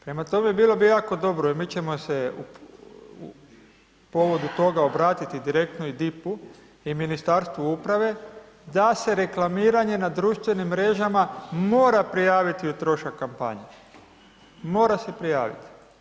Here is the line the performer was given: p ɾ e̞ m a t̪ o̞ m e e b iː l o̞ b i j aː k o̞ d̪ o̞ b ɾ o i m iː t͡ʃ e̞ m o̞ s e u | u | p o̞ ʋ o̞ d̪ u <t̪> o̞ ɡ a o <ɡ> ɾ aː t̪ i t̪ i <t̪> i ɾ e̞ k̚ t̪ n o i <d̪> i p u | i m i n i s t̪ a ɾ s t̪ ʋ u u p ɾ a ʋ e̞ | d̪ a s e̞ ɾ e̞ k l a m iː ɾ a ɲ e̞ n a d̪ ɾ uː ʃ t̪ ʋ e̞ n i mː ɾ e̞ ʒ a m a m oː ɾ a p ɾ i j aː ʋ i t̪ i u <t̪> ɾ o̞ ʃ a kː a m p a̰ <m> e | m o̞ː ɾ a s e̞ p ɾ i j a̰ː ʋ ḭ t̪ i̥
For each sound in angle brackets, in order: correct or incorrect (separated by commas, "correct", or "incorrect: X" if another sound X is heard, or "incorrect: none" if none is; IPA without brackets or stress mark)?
correct, incorrect: b, incorrect: d̪, correct, correct, incorrect: ɲ